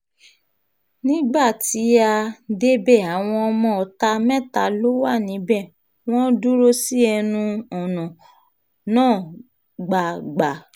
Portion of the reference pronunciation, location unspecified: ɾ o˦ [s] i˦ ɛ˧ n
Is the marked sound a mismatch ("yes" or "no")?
no